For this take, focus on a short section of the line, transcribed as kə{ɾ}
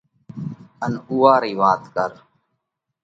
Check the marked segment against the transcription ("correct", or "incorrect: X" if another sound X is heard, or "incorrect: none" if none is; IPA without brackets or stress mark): correct